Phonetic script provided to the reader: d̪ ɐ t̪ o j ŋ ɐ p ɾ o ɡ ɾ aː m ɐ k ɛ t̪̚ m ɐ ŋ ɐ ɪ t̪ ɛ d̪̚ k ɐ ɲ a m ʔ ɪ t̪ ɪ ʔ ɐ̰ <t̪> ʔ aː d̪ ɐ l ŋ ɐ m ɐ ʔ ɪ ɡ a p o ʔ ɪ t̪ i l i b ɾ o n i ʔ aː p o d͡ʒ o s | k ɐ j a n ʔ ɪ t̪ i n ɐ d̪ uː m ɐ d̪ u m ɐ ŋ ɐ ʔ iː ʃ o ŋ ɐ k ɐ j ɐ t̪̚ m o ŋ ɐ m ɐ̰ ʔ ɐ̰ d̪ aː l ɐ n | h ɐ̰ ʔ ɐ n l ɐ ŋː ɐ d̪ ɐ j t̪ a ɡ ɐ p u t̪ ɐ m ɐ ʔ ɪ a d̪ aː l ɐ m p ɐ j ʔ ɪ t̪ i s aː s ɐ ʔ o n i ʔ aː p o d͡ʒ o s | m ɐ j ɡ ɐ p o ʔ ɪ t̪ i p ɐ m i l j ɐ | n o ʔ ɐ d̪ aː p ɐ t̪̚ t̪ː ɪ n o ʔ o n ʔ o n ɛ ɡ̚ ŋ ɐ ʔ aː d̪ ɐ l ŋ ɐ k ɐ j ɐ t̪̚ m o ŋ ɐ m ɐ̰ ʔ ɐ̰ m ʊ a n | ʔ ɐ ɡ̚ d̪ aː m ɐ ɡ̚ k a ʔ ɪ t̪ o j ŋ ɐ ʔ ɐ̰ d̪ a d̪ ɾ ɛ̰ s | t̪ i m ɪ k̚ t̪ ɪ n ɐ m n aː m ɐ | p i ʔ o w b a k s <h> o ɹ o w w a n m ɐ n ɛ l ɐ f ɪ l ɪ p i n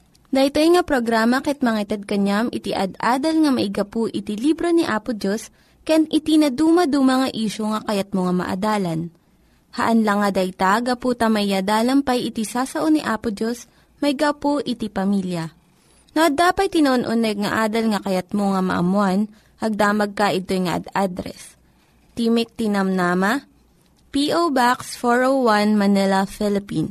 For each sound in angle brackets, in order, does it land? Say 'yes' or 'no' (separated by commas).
no, no